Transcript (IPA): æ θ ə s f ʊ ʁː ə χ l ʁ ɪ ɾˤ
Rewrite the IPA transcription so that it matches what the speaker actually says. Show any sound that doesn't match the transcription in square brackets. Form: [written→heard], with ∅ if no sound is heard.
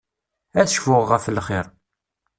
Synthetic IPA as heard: æ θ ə [s→ʃ] f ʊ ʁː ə [χ→f] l [ʁ→χ] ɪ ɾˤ